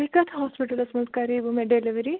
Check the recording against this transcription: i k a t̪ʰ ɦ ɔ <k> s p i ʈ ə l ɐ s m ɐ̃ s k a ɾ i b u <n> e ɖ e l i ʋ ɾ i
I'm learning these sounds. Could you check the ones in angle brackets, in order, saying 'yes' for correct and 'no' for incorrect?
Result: no, no

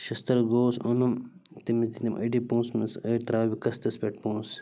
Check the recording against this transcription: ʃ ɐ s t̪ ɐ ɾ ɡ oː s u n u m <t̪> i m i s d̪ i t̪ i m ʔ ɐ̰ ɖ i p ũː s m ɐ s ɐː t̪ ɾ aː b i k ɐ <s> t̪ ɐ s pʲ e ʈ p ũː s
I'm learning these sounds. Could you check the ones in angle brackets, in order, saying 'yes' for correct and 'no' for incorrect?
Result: yes, yes

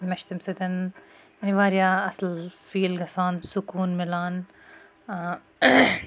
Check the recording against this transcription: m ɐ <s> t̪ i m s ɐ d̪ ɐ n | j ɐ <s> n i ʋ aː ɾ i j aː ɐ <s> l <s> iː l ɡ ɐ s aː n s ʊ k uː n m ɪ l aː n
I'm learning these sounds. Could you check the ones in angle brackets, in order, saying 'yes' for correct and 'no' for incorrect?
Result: no, no, yes, no

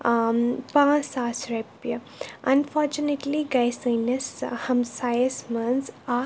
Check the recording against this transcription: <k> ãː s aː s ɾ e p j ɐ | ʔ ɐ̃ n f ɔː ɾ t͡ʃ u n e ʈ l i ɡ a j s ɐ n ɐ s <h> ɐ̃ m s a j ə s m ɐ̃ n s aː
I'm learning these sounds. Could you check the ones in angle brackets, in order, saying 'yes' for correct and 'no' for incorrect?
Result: no, yes

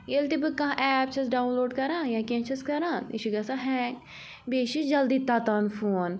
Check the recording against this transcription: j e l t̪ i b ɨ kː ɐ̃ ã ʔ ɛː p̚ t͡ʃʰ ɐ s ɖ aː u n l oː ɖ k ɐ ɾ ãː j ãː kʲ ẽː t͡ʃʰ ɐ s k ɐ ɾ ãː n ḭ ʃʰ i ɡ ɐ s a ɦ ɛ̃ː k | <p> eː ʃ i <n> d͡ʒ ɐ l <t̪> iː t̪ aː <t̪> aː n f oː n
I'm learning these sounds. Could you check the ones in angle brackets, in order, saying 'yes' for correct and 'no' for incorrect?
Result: no, no, no, yes

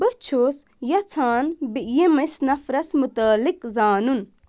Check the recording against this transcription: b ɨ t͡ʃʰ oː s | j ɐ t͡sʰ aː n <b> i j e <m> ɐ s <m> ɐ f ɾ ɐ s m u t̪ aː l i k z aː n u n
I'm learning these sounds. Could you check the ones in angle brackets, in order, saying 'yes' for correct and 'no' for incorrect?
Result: yes, yes, no

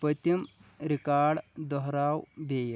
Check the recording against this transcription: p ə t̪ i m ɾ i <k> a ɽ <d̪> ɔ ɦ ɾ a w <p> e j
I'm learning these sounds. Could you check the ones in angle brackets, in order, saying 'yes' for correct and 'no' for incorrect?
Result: yes, yes, no

